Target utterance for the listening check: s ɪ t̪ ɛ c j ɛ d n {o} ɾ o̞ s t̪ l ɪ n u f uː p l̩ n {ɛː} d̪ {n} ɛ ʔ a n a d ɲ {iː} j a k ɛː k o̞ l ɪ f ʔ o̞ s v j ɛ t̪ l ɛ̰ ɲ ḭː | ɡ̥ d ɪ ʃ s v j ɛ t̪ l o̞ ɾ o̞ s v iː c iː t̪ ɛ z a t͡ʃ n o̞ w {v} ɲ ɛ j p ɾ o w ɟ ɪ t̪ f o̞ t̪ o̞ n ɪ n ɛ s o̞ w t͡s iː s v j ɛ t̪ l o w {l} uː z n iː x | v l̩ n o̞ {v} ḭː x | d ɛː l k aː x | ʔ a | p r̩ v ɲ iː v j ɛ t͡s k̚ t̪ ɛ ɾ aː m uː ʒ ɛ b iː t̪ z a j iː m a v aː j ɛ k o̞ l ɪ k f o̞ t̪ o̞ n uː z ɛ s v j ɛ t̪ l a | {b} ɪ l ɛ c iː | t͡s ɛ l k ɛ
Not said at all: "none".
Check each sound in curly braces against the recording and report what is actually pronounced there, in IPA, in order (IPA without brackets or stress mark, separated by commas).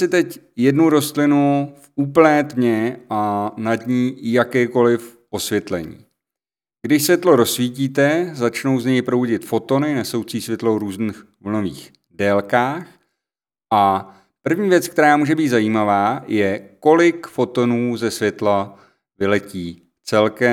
u, ɛː, ɲ, iː, z, ɾ, v, v